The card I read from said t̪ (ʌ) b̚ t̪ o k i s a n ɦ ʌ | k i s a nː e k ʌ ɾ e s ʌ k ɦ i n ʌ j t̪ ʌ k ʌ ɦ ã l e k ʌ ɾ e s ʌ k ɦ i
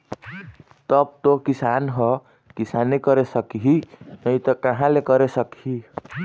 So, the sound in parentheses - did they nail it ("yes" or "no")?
yes